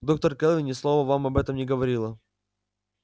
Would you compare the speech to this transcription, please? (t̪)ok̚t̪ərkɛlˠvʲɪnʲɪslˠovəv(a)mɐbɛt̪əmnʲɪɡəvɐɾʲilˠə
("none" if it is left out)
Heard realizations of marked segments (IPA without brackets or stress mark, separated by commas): d̪, a